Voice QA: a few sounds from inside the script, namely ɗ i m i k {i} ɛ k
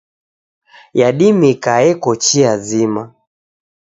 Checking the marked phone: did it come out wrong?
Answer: yes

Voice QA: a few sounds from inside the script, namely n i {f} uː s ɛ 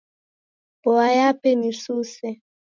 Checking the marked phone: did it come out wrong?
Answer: yes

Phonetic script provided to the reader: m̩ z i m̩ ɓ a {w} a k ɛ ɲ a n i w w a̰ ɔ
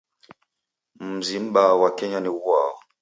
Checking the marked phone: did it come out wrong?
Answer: no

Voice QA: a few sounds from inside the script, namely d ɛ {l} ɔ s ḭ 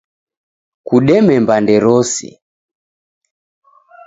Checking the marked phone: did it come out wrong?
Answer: yes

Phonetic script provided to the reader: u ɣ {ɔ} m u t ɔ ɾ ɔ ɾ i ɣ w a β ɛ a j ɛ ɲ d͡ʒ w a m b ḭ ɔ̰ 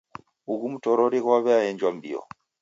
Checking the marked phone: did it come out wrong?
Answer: yes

